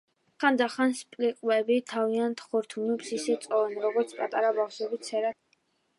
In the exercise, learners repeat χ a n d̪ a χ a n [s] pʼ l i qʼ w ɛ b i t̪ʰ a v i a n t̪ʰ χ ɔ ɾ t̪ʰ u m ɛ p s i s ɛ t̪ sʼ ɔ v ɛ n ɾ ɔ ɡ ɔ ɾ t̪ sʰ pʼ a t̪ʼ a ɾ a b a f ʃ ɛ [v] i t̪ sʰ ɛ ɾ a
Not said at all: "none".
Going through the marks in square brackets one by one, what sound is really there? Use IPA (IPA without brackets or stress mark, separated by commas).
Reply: s, b